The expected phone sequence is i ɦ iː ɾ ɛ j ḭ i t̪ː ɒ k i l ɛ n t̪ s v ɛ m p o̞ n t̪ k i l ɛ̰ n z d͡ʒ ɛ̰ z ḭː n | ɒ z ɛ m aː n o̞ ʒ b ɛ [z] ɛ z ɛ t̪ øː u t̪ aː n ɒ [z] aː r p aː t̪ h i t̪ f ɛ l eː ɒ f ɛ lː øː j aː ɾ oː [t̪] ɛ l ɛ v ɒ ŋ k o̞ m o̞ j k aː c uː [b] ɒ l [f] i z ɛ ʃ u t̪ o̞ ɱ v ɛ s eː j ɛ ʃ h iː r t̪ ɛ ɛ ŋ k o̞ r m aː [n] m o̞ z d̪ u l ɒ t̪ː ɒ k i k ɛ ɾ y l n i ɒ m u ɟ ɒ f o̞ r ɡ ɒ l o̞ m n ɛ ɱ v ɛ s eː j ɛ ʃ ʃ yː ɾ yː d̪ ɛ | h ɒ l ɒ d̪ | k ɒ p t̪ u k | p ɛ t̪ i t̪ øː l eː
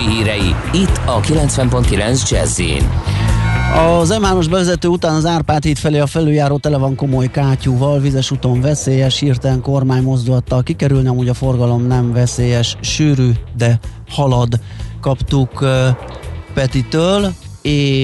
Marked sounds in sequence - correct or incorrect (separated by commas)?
incorrect, correct, correct, incorrect, incorrect, incorrect